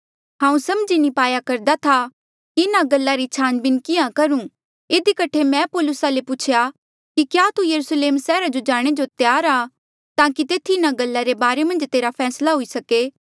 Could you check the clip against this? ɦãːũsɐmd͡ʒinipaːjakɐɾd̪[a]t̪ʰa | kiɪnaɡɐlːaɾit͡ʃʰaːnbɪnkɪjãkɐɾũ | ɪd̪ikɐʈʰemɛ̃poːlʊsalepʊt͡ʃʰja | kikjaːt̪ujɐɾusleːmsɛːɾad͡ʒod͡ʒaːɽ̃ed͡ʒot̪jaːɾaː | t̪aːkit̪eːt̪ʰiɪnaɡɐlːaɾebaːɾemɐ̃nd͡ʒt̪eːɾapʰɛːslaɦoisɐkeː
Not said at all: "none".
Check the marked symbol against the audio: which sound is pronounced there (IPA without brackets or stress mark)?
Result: a